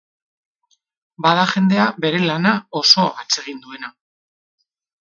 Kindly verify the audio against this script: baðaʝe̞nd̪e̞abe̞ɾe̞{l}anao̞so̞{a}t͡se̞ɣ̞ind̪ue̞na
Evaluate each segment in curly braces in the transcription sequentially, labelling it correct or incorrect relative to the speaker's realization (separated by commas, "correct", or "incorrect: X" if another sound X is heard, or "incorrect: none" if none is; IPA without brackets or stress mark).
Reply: correct, correct